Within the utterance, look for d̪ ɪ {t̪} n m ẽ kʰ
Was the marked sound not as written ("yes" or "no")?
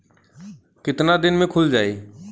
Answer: yes